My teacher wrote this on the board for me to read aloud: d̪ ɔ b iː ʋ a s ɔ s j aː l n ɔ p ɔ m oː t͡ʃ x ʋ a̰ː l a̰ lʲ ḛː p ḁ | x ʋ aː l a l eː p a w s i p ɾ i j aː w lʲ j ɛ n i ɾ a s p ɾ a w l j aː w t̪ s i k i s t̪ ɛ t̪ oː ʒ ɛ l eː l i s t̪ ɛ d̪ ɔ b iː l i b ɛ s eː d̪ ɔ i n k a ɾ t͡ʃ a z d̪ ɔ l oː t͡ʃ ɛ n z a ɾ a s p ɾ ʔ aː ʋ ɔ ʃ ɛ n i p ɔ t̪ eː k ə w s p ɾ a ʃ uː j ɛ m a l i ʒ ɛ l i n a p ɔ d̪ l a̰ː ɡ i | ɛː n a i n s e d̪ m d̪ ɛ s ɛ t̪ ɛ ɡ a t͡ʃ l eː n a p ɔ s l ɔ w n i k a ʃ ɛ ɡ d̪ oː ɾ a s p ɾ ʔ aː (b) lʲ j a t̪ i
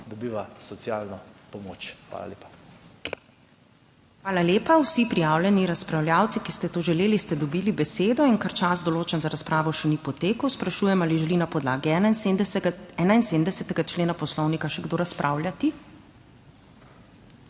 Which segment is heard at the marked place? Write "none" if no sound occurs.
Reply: w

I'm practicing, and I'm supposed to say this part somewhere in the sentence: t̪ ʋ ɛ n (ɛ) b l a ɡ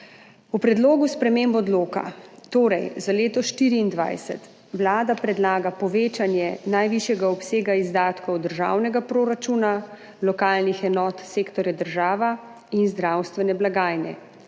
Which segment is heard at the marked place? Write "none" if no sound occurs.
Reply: ɛ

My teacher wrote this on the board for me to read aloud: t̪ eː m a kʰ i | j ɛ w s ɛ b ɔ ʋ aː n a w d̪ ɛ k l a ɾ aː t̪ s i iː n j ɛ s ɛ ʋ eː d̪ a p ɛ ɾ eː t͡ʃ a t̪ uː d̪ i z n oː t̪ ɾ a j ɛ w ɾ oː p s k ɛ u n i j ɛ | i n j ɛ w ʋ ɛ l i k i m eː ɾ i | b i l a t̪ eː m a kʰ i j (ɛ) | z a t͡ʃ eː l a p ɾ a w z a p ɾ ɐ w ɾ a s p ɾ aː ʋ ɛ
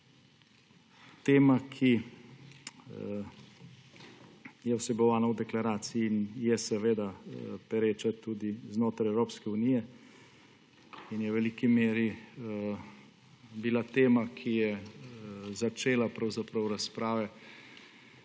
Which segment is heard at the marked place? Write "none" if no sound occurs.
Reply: ɛ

